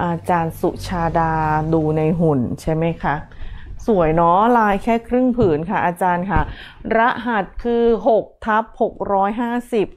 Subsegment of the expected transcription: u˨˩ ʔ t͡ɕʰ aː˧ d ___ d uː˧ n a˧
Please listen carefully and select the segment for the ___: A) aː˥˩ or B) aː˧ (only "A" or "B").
B